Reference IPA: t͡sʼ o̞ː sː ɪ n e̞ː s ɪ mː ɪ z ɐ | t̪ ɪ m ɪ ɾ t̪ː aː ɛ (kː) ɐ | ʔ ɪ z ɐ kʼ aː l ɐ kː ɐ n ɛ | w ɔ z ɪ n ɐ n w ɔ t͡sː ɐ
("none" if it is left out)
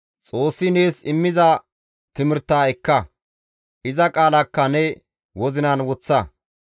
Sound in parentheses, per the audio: kː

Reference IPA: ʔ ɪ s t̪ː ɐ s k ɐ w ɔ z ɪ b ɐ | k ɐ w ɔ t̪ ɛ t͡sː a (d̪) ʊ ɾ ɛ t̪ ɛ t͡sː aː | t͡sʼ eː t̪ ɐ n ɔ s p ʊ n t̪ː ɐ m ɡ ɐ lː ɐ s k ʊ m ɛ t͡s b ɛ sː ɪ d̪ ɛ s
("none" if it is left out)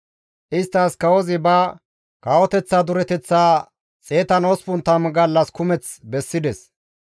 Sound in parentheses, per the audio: d̪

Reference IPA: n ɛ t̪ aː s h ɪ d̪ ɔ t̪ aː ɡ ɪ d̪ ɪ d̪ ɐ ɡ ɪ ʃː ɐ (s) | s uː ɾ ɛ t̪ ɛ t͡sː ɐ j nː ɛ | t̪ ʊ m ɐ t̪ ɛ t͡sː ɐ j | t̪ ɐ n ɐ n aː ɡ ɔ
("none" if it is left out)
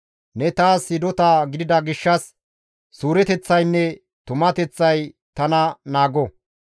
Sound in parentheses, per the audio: s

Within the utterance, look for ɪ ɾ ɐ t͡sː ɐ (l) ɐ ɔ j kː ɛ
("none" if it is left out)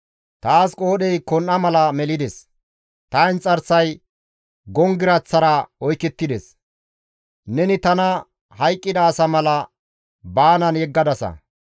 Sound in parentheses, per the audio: ɾ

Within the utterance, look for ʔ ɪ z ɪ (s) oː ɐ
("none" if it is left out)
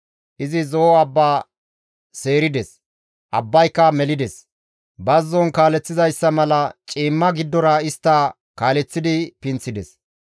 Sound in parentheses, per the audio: z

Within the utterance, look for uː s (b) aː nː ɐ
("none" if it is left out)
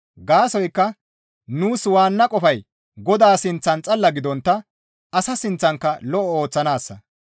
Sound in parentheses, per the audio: w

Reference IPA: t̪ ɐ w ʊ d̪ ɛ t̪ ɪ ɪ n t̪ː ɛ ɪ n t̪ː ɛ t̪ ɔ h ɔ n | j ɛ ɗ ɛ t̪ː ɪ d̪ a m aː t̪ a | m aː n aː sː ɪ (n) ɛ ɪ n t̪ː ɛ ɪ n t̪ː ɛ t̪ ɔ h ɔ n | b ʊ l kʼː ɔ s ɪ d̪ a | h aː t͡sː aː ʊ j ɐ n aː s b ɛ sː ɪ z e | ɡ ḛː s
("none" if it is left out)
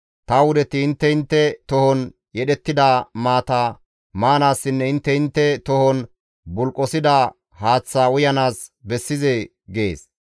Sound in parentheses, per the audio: nː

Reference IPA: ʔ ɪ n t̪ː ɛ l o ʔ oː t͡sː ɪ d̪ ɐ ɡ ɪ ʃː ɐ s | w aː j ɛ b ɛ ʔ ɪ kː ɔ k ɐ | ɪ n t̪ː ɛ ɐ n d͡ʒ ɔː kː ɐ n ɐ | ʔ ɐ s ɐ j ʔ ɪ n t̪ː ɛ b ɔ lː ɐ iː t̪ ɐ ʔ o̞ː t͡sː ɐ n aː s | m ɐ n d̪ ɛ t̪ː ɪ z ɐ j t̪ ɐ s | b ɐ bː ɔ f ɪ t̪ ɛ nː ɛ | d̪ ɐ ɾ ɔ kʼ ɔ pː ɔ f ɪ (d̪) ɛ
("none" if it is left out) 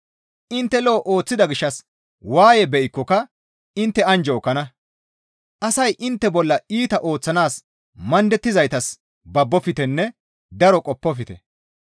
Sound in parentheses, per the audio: t̪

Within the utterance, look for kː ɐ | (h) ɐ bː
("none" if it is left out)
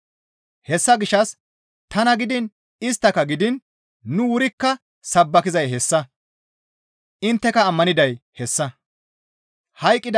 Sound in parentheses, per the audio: s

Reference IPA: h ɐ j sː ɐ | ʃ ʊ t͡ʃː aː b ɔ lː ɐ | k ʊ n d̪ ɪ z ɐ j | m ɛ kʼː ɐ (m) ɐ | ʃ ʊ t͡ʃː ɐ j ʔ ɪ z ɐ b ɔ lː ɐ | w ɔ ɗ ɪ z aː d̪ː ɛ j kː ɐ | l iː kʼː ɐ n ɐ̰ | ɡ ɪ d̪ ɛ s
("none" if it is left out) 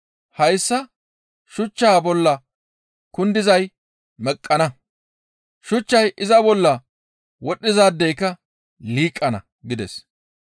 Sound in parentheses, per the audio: n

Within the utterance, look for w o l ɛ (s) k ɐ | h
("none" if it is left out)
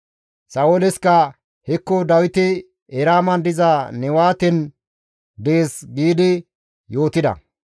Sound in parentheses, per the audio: s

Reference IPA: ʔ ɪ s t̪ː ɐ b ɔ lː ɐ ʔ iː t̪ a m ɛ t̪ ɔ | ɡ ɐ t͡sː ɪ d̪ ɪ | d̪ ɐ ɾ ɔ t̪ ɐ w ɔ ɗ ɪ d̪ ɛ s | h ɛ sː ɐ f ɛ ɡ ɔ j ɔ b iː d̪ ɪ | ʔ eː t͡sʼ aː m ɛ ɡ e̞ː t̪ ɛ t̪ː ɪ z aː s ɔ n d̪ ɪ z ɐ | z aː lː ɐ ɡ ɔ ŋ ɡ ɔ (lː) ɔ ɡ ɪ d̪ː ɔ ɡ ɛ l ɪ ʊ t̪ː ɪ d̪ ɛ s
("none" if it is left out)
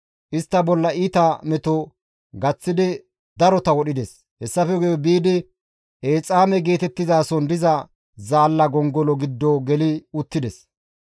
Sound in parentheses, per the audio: l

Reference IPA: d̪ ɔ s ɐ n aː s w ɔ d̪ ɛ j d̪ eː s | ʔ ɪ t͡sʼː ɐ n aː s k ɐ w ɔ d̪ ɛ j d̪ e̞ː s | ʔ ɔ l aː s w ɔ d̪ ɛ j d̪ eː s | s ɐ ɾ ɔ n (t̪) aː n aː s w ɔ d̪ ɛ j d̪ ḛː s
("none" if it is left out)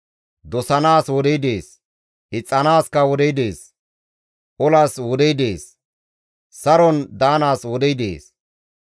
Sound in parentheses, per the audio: d̪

